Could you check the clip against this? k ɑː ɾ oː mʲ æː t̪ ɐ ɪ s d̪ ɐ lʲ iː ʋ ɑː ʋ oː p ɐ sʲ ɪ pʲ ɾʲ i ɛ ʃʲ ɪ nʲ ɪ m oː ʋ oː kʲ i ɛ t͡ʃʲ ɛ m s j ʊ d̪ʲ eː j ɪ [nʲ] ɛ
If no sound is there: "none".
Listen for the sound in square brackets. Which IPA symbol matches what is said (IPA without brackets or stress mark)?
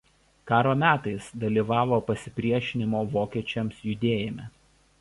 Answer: mʲ